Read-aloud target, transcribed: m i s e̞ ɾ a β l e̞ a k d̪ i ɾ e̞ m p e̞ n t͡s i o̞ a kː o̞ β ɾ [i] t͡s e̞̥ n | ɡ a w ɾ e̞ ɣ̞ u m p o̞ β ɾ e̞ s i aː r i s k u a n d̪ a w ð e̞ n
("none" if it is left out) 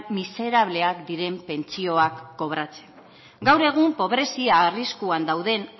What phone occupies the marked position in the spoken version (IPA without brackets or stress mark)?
a